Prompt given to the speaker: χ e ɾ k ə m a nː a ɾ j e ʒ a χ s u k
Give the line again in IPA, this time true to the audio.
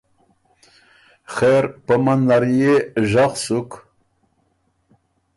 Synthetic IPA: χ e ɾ p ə m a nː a ɾ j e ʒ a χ s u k